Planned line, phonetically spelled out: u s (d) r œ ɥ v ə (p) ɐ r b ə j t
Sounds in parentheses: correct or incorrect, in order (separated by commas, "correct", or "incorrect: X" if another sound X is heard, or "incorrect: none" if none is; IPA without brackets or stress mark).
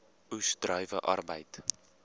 correct, incorrect: ʔ